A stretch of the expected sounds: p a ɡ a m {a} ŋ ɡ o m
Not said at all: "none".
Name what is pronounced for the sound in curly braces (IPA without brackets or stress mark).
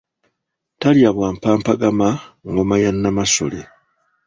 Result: a